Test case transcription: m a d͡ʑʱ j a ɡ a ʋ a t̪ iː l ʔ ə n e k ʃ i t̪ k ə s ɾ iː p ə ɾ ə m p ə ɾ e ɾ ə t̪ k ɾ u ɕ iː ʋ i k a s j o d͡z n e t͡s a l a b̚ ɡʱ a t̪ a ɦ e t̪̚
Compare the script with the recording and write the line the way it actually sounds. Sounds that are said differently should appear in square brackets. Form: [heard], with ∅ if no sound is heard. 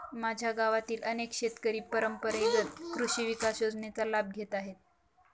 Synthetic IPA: m a d͡ʑʱ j a ɡ a ʋ a t̪ iː l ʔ ə n e k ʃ [e] t̪ k ə [∅] ɾ iː p ə ɾ ə m p ə ɾ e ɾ ə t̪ k ɾ u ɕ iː ʋ i k a s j o d͡z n e t͡s a l a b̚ ɡʱ [e] t̪ a ɦ e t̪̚